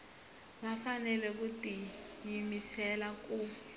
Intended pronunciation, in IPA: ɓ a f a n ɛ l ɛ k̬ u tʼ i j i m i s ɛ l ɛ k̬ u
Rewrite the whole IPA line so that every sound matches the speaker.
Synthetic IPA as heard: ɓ a f a n ɛ l ɛ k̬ u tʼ i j i m i s ɛ l a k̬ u

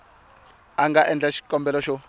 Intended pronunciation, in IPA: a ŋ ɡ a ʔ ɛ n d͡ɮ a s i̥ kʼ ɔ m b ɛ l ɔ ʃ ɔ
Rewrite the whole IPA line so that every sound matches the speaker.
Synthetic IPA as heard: a ŋ ɡ a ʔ ɛ n d͡ɮ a ʃ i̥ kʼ ɔ m b ɛ l ɔ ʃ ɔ

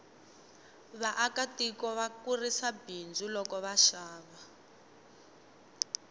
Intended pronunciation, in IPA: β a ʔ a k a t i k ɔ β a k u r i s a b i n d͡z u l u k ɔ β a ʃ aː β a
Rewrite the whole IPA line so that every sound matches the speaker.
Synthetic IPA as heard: β a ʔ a k a t i k ɔ β a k u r i s a b i n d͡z u l ɔ k ɔ β a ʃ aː β a

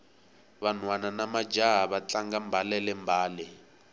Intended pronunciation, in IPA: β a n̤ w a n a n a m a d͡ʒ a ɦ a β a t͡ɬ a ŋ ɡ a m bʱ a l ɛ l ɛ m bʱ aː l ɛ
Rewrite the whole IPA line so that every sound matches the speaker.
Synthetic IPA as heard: β a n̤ w a n a n a m a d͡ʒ a ɦ a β a t͡ɬ a ŋ ɡ a m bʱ a l ɛ l ɛ m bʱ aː l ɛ

